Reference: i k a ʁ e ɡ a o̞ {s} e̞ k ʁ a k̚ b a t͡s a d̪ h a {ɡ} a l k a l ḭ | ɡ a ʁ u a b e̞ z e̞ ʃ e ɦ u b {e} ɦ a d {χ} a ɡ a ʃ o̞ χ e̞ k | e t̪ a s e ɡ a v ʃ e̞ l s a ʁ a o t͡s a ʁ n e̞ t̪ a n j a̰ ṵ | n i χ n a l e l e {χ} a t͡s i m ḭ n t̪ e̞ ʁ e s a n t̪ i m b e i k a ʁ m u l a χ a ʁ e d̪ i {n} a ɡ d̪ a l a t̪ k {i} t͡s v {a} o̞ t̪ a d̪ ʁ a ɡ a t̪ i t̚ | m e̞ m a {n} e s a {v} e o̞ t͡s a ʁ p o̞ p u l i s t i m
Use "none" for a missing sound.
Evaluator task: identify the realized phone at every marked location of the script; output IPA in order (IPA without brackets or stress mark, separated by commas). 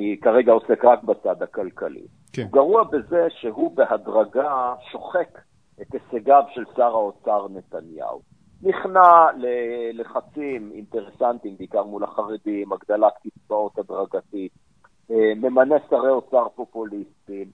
s, k, e, ʁ, χ, m, i, a, n, ʁ